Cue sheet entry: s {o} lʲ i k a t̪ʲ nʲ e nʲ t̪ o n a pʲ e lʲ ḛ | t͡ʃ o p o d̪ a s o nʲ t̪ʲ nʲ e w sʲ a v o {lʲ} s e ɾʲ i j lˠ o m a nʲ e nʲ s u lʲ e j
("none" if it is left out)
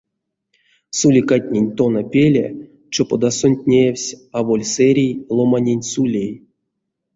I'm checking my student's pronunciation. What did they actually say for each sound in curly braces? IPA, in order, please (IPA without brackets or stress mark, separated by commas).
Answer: u, lʲ